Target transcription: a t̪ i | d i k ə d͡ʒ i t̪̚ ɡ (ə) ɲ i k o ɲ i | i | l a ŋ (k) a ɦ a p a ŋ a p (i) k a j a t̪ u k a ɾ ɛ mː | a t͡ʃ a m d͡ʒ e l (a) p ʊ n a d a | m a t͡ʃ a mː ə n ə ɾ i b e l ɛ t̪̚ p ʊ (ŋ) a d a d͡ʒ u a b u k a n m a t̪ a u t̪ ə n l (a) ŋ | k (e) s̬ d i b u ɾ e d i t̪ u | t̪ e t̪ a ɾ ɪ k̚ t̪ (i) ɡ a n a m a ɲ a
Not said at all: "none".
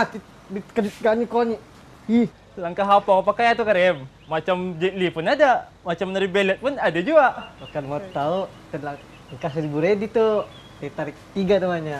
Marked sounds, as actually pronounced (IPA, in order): a, k, a, i, n, a, a, i

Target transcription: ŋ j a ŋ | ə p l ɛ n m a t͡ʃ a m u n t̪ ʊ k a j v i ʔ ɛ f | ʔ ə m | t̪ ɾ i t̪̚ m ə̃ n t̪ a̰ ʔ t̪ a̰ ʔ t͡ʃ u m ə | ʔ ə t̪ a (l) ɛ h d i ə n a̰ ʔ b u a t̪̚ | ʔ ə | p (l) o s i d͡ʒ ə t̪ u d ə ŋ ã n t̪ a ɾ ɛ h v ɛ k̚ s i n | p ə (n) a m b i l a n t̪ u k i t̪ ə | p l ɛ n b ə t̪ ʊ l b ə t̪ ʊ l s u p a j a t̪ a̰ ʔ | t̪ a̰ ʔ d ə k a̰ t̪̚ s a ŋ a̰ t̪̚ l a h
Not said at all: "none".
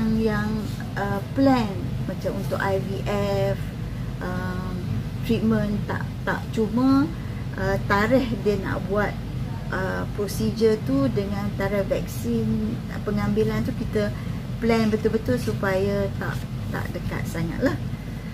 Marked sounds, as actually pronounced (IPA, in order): ɾ, ɾ, ŋ

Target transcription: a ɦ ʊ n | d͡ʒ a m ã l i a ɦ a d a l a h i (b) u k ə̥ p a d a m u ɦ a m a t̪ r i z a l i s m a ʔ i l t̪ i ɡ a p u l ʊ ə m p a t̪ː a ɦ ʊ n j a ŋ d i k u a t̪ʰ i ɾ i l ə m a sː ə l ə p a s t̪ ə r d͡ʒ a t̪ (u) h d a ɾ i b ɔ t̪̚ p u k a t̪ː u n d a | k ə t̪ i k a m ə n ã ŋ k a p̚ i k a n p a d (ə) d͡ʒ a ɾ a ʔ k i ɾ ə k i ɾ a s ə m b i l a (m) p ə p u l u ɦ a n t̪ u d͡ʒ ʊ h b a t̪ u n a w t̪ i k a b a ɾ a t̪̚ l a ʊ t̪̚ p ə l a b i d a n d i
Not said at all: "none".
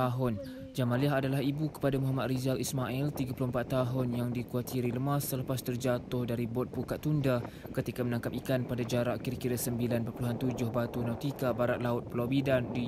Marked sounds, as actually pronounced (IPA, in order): b, ʊ, a, n

